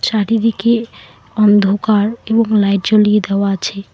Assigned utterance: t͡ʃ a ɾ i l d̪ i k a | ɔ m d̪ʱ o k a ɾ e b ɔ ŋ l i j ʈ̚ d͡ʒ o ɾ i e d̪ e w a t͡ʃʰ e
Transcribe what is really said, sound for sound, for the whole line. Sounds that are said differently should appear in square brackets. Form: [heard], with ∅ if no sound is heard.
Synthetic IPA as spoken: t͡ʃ a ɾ i [∅] d̪ i k [e] | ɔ [n] d̪ʱ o k a ɾ e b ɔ ŋ l [a] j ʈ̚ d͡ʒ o [l] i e d̪ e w a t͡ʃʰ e